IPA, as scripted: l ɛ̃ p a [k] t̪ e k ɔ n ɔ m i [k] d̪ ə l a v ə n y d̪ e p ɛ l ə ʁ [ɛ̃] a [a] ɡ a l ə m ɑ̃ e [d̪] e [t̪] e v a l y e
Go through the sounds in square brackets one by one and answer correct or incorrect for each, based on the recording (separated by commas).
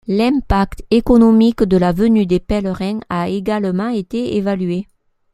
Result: correct, correct, correct, incorrect, incorrect, incorrect